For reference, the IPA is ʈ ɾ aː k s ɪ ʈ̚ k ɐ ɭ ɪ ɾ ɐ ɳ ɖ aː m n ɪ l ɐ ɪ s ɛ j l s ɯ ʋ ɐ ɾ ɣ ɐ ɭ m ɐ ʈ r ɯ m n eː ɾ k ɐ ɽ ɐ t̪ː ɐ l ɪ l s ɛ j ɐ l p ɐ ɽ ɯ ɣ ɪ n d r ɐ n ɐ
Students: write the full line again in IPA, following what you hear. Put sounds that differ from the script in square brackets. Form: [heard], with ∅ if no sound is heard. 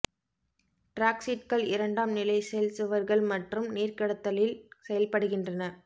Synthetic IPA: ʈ ɾ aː k s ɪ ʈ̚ k ɐ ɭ ɪ ɾ ɐ ɳ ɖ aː m n ɪ l ɐ ɪ s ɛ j l s ɯ ʋ ɐ ɾ ɣ ɐ ɭ m ɐ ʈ r ɯ m n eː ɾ k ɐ ɽ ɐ t̪ː ɐ l ɪ l s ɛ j ɐ l p ɐ ɽ ɯ ɣ ɪ n d r ɐ n ɐ